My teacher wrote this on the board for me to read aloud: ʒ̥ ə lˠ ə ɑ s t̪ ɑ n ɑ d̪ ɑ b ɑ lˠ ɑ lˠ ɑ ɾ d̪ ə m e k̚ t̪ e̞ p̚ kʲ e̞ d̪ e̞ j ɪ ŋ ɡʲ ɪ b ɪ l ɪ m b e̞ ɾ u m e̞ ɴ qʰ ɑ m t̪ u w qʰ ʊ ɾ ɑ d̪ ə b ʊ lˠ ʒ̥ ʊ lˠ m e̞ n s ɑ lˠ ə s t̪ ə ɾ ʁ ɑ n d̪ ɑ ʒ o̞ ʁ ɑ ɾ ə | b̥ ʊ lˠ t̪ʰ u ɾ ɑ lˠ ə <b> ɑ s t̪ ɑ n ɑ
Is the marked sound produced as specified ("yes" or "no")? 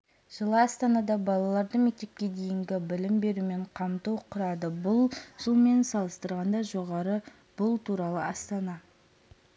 no